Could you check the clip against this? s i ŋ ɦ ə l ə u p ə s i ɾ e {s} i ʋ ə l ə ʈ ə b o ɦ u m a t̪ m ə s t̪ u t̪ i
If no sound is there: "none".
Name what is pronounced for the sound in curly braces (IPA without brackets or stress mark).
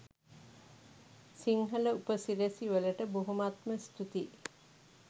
s